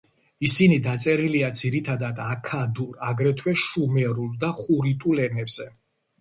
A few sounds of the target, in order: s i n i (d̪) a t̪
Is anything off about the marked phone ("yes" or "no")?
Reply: no